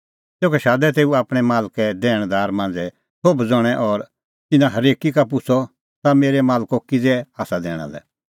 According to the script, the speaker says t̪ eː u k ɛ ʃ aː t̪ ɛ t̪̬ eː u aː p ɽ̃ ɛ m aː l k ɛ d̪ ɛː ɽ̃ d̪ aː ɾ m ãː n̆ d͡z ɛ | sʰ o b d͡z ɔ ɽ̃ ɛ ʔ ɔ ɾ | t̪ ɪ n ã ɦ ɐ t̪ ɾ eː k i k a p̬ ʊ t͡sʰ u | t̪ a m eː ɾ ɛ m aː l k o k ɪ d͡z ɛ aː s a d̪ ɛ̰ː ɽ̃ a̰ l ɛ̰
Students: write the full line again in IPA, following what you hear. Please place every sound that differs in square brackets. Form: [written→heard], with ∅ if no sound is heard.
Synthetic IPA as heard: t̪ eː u k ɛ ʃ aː [t̪→d̪] ɛ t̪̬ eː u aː p ɽ̃ ɛ m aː l k ɛ d̪ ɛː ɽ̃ d̪ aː ɾ m ãː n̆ d͡z ɛ | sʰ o b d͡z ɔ ɽ̃ ɛ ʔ ɔ ɾ | t̪ ɪ n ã ɦ ɐ [t̪→∅] ɾ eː k i k a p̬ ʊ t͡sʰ [u→ɔ] | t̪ a m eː ɾ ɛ m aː l k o k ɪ d͡z ɛ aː s a d̪ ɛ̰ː ɽ̃ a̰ l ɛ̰